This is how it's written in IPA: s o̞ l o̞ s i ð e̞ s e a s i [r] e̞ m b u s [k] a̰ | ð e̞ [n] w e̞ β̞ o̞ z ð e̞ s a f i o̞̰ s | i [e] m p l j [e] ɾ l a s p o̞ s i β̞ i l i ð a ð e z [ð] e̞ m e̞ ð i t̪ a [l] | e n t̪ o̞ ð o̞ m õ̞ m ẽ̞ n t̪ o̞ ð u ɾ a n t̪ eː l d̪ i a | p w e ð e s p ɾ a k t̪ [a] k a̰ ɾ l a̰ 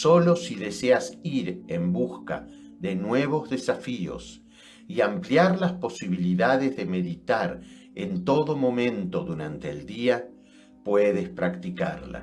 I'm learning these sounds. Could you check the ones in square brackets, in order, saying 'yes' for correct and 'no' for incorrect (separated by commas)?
no, yes, yes, no, no, yes, no, no